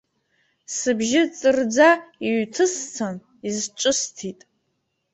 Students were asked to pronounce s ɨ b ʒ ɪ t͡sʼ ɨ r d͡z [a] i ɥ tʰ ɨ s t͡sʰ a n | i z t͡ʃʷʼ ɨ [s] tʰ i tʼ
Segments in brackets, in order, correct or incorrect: correct, correct

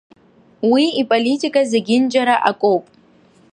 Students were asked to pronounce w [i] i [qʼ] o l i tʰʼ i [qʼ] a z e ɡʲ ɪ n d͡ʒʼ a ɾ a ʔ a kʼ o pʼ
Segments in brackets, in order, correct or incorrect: correct, incorrect, incorrect

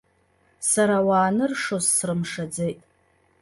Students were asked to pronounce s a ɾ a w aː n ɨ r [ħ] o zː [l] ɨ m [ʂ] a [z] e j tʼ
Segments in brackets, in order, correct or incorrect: incorrect, incorrect, correct, incorrect

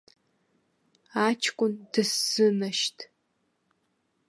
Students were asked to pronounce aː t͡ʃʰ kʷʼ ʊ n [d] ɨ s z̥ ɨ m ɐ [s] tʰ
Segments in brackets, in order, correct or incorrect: correct, incorrect

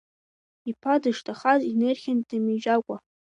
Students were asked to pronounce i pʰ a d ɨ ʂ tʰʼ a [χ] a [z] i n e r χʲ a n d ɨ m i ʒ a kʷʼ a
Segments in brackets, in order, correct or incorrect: correct, correct

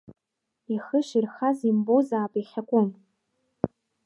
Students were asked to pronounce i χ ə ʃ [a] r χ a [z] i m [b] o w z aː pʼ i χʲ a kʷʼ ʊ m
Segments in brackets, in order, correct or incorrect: incorrect, correct, correct

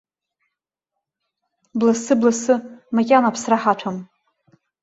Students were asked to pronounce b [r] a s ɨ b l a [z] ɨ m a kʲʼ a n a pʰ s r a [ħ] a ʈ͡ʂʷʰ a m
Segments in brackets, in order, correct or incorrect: incorrect, incorrect, correct

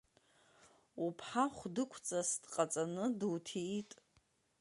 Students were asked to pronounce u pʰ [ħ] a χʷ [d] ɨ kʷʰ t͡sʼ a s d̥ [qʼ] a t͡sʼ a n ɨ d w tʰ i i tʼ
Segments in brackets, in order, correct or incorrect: correct, correct, correct

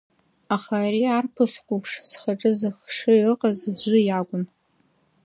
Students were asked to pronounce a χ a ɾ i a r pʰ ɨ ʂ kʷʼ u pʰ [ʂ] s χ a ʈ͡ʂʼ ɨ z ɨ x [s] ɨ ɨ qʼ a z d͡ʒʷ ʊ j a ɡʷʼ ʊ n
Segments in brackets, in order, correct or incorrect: correct, incorrect

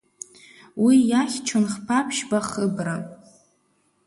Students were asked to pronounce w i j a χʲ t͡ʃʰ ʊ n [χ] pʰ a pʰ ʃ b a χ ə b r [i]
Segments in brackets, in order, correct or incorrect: correct, incorrect

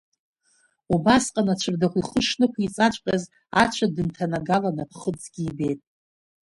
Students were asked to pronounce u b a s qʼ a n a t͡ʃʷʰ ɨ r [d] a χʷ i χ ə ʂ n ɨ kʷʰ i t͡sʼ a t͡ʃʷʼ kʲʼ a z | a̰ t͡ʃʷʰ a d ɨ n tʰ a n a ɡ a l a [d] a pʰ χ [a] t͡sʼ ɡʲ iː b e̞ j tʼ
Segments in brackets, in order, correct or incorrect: correct, incorrect, incorrect

